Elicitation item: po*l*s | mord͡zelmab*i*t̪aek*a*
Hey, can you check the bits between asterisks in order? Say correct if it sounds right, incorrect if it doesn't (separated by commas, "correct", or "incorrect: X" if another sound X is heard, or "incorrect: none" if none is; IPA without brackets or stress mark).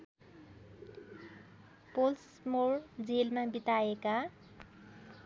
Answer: correct, correct, correct